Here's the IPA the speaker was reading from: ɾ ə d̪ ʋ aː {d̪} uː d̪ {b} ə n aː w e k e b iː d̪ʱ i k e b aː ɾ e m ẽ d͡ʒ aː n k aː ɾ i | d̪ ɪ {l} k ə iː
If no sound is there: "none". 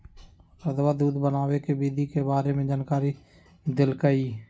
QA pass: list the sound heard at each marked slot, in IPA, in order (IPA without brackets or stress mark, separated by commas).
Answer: d̪, b, l